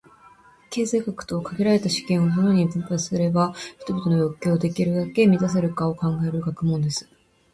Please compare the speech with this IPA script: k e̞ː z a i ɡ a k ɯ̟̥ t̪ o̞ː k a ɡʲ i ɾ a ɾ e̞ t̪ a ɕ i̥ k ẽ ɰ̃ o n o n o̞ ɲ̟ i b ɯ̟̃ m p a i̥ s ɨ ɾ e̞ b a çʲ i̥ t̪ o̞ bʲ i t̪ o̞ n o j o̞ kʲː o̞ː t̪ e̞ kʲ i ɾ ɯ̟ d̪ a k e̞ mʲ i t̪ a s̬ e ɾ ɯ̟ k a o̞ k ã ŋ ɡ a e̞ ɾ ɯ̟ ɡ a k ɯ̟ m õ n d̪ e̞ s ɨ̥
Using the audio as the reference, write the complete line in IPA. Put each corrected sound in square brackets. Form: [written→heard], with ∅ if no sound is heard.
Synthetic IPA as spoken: k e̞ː z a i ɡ a k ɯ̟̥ t̪ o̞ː k a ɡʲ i ɾ a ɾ e̞ t̪ a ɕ i̥ k ẽ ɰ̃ o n o n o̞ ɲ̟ i b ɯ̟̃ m p a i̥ s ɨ ɾ e̞ b a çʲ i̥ t̪ o̞ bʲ i t̪ o̞ n o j o̞ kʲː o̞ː [t̪→d̪] e̞ kʲ i ɾ ɯ̟ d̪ a k e̞ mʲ i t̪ a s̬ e ɾ ɯ̟ k a o̞ k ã ŋ ɡ a e̞ ɾ ɯ̟ ɡ a k ɯ̟ m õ n d̪ e̞ s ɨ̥